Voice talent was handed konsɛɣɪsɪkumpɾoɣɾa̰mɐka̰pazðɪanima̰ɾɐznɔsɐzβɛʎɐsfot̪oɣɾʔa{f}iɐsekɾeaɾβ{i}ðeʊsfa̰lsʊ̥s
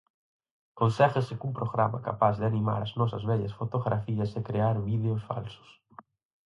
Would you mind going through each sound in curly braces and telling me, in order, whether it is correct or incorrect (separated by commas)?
correct, correct